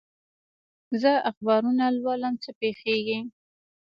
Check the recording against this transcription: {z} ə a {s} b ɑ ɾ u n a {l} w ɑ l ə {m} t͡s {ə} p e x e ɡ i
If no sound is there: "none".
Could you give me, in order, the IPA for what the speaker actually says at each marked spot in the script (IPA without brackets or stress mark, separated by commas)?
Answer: z, x, l, m, ə